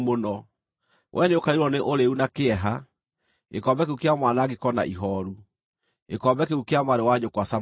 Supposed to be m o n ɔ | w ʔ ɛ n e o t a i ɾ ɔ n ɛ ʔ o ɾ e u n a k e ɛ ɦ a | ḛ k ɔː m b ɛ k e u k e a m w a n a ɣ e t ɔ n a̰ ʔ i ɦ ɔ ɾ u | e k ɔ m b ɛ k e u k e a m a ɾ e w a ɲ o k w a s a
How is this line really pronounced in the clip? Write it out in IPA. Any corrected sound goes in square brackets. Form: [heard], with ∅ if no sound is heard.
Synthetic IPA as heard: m o n ɔ | w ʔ ɛ n e o [k] a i ɾ ɔ n [e] ʔ o ɾ e u n a k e ɛ ɦ a | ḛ k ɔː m b ɛ k e u k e a m w a n a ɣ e [k] ɔ n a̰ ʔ i ɦ ɔ ɾ u | e k ɔ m b ɛ k e u k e a m a ɾ e w a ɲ o k w a s a

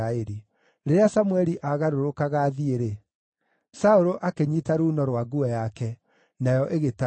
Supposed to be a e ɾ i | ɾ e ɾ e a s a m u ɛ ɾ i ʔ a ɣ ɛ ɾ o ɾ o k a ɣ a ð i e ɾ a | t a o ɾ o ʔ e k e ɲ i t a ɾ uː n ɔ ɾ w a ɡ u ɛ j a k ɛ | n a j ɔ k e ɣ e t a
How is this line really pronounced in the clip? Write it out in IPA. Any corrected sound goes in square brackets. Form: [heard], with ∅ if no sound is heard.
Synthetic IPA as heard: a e ɾ i | ɾ e ɾ e a s a m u ɛ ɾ i ʔ a ɣ [a] ɾ o ɾ o k a ɣ a ð i e ɾ [e] | [s] a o ɾ o ʔ [a] k e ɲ i t a ɾ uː n ɔ ɾ w a ɡ u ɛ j a k ɛ | n a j ɔ [ʔ] e ɣ e t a

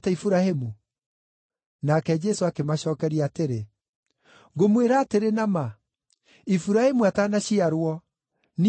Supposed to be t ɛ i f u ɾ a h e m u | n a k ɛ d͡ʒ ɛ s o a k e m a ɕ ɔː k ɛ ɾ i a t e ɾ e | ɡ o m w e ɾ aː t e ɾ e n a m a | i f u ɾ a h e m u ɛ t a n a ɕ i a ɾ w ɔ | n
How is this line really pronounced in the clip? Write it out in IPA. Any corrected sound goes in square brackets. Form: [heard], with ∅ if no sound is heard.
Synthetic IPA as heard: t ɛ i f u ɾ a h e m u | n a k ɛ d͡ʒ ɛ s o a k e m a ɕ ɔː k ɛ ɾ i a t e ɾ e | ɡ o m w e ɾ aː t e ɾ e n a m a | i f u ɾ a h e m u [a] t a n a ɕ i a ɾ w ɔ | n

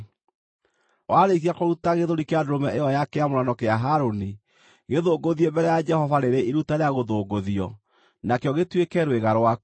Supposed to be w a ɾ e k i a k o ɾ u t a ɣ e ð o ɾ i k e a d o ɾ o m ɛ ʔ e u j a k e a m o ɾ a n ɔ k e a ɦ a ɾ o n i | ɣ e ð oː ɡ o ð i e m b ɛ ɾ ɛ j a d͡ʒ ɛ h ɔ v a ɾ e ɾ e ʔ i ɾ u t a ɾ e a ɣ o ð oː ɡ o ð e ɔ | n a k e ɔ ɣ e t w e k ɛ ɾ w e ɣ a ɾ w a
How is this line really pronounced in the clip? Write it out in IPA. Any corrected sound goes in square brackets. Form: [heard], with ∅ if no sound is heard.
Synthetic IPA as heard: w a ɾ e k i a k o ɾ u t a ɣ e ð o ɾ i k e a d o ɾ o m ɛ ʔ e [ɔ] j a k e a m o ɾ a n ɔ k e a ɦ a ɾ o n i | ɣ e ð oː ɡ o ð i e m b ɛ ɾ ɛ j a d͡ʒ ɛ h ɔ v a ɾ e ɾ e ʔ i ɾ u t a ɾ e a ɣ o ð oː ɡ o ð [i] ɔ | n a k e ɔ ɣ e t w e k ɛ ɾ w e ɣ a ɾ w a

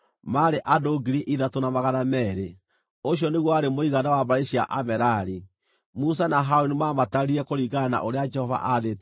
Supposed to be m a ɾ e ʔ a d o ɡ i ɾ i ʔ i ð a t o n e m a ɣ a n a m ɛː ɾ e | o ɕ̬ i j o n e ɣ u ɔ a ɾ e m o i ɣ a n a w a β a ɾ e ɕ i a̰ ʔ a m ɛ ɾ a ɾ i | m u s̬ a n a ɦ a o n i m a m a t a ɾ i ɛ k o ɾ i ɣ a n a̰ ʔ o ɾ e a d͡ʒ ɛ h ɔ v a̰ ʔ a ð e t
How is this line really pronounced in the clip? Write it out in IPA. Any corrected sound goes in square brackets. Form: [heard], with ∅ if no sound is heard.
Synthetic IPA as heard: m a ɾ e ʔ a d o ɡ i ɾ i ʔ i ð a t o n [a] m a ɣ a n a m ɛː ɾ e | o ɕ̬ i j [ɔ] n e ɣ [w] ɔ a ɾ e m o i ɣ a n a w a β a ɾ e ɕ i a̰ ʔ a m ɛ ɾ a ɾ i | m u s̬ a n a ɦ a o n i m a m a t a ɾ i ɛ k o ɾ i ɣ a n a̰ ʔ o ɾ e a d͡ʒ ɛ h ɔ v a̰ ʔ a ð e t

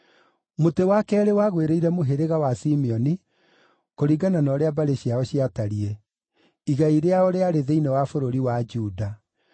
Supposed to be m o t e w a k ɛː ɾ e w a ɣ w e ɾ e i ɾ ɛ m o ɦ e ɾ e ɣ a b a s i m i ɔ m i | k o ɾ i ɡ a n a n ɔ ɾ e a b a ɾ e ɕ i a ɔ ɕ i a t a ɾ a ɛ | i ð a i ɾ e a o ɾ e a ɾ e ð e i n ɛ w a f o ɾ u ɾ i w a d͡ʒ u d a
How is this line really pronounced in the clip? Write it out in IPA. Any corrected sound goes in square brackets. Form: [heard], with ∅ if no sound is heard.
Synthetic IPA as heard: m o t e w a k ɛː ɾ e w a ɣ w e ɾ e i ɾ ɛ m o ɦ e ɾ e ɣ a [w] a s i m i ɔ [n] i | k o ɾ i ɡ a n a n ɔ ɾ e a b a ɾ e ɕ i a ɔ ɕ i a t a ɾ [i] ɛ | i [ɣ] a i ɾ e a o ɾ e a ɾ e ð e i n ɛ w a f o ɾ [o] ɾ i w a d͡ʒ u d a

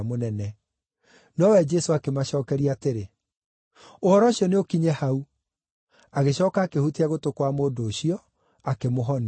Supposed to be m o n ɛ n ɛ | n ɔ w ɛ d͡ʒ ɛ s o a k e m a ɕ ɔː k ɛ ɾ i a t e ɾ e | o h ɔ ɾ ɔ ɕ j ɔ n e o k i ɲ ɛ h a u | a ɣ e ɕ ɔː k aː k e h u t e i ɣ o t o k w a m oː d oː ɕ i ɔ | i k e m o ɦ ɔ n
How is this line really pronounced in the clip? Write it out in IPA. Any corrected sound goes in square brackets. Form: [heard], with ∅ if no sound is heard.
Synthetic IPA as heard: m o n ɛ n ɛ | n ɔ w ɛ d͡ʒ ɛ s o a k e m a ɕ ɔː k ɛ ɾ i a t e ɾ e | o h ɔ ɾ ɔ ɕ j ɔ n e o k i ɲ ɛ h a u | a ɣ e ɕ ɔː k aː k e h u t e [a] ɣ o t o k w a m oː d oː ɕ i ɔ | [a] k e m o ɦ ɔ n

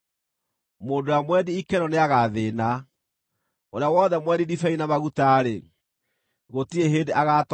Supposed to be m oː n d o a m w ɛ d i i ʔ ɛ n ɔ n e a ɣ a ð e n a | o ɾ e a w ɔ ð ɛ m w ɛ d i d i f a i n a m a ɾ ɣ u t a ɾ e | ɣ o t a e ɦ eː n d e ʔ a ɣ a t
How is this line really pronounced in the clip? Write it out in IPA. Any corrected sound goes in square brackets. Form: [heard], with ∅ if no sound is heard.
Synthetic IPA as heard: m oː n d o a m w ɛ d i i [k] ɛ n ɔ n e a ɣ a ð e n a | o ɾ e a w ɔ ð ɛ m w ɛ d i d i f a i n a m a [∅] ɣ u t a ɾ e | ɣ o t [i] e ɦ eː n d e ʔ a ɣ a t

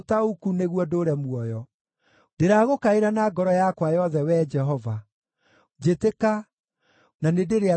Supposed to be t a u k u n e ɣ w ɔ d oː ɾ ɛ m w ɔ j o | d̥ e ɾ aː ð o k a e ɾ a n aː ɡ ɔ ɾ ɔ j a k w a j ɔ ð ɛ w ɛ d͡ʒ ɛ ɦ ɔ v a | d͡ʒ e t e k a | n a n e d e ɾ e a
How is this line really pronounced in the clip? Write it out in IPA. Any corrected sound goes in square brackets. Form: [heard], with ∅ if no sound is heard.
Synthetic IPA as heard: t a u k u n e ɣ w ɔ d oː ɾ ɛ m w ɔ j [ɔ] | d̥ e ɾ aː [ɣ] o k a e ɾ a n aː ɡ ɔ ɾ ɔ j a k w a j ɔ ð ɛ w ɛ d͡ʒ ɛ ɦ ɔ v a | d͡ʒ e t e k a | n a n e d e ɾ e a

